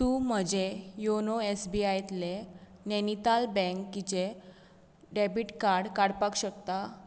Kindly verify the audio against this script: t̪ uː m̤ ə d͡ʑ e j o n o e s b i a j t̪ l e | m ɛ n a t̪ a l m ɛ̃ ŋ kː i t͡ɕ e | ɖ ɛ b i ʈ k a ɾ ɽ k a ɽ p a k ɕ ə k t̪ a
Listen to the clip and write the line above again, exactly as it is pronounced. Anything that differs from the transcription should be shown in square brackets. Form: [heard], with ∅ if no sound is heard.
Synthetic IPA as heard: t̪ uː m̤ ə d͡ʑ e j o n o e s b i a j t̪ l e | [n] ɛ n [i] t̪ a l [b] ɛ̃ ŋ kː i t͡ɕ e | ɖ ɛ b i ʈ k a ɾ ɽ k a ɽ p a k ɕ ə k t̪ a